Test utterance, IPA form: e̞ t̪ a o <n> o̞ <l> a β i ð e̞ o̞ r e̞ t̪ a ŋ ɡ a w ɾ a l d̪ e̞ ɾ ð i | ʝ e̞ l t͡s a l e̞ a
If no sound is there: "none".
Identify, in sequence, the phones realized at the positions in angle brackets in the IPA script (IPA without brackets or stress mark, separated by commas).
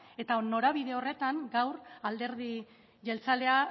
n, ɾ